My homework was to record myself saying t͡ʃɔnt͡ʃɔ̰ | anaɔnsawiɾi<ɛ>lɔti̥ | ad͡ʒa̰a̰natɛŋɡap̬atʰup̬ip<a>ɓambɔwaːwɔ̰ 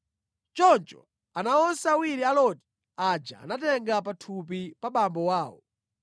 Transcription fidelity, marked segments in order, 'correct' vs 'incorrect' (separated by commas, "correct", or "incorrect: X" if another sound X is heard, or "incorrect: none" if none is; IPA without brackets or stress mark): incorrect: a, correct